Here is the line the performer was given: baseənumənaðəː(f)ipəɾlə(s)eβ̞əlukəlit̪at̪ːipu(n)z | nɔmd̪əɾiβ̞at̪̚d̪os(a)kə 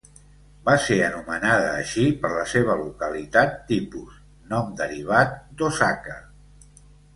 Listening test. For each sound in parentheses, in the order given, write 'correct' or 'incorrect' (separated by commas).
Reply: incorrect, correct, incorrect, correct